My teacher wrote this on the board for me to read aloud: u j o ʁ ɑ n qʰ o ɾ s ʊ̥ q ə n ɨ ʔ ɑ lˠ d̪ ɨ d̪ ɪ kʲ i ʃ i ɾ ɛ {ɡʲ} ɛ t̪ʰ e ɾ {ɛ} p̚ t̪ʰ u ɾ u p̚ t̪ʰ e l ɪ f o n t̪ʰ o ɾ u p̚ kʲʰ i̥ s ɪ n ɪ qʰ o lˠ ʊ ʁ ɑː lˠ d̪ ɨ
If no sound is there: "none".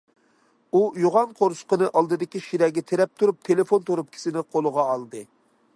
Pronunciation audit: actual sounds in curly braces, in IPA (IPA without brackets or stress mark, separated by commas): ɡʲ, ɛ